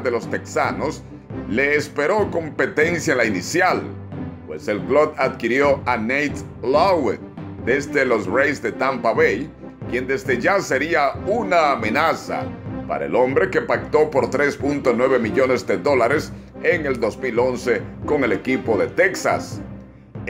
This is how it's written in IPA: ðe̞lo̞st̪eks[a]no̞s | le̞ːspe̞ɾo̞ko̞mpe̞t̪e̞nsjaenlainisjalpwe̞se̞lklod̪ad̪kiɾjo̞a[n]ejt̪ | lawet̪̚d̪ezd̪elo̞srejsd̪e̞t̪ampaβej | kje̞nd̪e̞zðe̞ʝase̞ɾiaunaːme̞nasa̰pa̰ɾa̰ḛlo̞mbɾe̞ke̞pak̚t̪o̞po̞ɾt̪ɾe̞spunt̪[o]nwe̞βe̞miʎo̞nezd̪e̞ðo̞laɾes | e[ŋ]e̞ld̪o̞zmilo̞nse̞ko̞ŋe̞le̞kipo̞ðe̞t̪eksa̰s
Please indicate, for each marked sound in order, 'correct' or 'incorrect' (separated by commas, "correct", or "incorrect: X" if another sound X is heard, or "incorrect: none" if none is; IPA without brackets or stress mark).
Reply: correct, correct, correct, correct